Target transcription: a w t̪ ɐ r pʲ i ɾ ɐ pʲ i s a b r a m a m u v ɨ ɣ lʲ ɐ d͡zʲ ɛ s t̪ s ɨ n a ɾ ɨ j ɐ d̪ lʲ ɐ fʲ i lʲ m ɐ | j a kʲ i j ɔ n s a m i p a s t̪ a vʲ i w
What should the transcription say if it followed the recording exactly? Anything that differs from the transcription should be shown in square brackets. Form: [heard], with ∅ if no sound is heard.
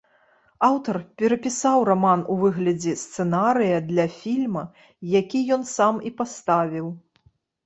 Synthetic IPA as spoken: a w t̪ ɐ r pʲ [ɛ] ɾ ɐ pʲ i s a [w] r a m a [n] u v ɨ ɣ lʲ ɐ d͡zʲ ɛ s t̪ s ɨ n a ɾ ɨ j ɐ d̪ lʲ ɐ fʲ i lʲ m ɐ | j a kʲ i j ɔ n s a m i p a s t̪ a vʲ i w